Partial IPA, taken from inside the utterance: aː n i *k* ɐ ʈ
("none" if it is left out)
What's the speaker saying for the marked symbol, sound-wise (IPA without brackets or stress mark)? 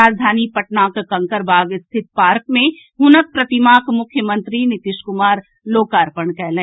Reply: p